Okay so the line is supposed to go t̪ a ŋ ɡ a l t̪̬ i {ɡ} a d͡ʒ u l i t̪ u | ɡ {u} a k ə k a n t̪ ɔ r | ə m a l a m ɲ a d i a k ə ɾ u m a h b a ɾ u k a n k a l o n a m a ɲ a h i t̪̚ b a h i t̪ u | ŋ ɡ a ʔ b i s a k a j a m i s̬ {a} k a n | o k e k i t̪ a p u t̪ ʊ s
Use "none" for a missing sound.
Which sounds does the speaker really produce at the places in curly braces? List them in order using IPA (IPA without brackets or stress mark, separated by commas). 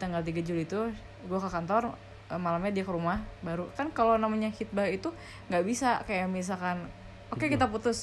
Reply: ɡ, u, a